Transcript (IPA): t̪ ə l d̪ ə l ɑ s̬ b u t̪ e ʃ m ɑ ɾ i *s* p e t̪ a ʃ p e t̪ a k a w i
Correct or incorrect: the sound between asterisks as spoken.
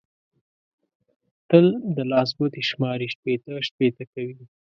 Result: incorrect: ʃ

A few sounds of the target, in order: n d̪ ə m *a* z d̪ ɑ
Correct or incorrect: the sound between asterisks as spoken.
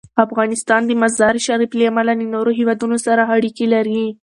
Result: correct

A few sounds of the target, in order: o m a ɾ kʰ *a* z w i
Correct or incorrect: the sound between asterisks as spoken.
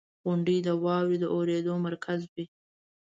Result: correct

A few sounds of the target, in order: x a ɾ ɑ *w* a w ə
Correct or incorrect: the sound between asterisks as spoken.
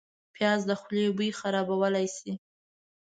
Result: incorrect: b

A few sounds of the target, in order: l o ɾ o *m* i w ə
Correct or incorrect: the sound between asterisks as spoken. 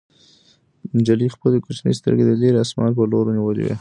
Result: incorrect: n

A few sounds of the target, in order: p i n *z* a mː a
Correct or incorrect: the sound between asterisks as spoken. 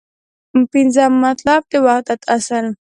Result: correct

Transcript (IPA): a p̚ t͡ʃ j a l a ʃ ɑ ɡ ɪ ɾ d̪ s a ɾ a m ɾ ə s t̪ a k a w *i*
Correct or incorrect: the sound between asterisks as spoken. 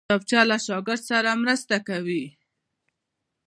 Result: correct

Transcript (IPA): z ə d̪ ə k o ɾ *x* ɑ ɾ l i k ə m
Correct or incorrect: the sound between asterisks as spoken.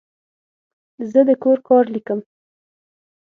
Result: incorrect: k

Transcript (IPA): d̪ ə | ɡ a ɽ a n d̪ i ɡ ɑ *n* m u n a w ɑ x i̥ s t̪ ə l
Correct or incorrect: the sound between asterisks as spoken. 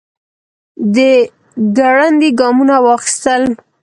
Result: incorrect: none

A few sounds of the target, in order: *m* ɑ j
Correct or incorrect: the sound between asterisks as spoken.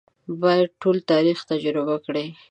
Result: incorrect: b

